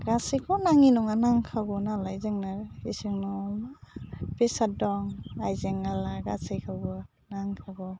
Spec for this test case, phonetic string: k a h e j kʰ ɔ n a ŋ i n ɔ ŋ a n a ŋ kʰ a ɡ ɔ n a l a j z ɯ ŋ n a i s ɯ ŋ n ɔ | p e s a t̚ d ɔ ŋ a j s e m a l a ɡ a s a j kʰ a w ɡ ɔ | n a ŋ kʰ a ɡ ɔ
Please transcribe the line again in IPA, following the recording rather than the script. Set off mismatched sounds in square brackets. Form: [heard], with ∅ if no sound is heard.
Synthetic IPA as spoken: [ɡ] a [s] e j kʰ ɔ n a ŋ i n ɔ ŋ a n a ŋ kʰ a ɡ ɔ n a l a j z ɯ ŋ n a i s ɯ ŋ n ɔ | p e s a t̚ d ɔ ŋ a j [z] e [ŋ] a l a ɡ a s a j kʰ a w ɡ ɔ | n a ŋ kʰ a ɡ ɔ